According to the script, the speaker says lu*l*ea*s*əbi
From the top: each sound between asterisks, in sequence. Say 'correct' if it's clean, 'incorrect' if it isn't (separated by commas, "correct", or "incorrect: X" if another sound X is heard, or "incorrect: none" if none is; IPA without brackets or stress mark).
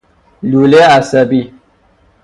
correct, correct